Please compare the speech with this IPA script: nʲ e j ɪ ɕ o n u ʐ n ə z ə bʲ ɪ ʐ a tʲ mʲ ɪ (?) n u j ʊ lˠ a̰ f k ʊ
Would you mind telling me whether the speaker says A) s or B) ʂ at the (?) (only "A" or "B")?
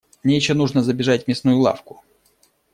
A